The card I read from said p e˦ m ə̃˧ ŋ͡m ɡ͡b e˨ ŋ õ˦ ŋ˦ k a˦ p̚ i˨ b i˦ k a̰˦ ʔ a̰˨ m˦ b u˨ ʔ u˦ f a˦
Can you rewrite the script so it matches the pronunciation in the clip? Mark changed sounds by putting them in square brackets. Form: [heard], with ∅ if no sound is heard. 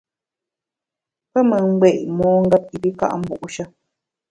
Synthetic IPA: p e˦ m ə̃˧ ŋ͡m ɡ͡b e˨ [m] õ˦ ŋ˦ [ɡ] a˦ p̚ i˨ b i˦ k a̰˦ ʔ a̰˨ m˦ b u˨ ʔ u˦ [ʃ] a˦